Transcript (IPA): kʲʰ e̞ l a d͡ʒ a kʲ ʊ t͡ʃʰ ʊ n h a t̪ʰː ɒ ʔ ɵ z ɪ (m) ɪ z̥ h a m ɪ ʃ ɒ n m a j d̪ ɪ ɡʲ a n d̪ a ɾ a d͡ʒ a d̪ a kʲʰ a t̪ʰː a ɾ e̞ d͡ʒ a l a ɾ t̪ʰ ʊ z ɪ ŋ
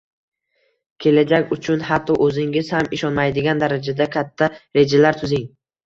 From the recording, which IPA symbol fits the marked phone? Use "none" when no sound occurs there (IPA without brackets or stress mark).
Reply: ŋ